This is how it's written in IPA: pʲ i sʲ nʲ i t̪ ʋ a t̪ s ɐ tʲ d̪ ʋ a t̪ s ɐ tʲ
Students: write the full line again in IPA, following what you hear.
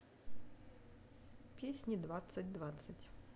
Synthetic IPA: pʲ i sʲ nʲ i d̪ ʋ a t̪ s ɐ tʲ d̪ ʋ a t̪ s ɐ tʲ

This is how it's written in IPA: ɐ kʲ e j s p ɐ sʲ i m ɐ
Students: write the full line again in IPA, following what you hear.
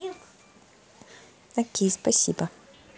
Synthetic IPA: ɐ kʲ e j s p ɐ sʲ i b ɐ

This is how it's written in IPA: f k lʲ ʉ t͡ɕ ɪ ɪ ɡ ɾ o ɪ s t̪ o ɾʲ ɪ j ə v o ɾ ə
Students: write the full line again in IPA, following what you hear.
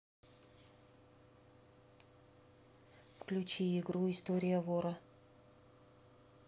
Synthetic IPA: f k lʲ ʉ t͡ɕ i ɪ ɡ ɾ u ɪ s t̪ o ɾʲ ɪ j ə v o ɾ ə

